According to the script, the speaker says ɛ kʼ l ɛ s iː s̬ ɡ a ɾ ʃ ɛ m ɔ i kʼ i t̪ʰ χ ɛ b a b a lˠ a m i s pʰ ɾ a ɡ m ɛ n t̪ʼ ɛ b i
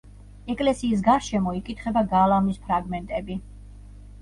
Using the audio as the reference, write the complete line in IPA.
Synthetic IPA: ɛ kʼ l ɛ s iː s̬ ɡ a ɾ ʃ ɛ m ɔ i kʼ i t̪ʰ χ ɛ b a ɡ a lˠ a m i s pʰ ɾ a ɡ m ɛ n t̪ʼ ɛ b i